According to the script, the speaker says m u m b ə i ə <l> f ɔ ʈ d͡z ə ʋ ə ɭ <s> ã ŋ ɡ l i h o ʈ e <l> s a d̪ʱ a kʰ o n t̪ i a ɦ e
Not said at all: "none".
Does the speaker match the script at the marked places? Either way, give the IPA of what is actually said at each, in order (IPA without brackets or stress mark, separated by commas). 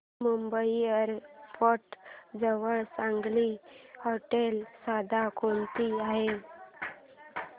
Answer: ɾ, s, l